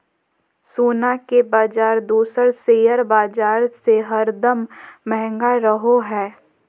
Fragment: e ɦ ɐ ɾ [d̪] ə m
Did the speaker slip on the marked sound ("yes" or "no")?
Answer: no